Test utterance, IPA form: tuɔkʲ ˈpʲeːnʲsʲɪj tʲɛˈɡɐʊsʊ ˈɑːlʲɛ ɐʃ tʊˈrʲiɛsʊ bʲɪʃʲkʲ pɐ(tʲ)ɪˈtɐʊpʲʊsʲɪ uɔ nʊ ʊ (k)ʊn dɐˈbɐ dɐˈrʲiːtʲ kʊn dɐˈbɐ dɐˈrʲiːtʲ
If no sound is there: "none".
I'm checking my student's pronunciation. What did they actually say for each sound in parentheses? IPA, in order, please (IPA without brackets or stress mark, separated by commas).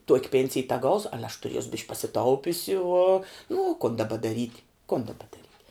sʲ, k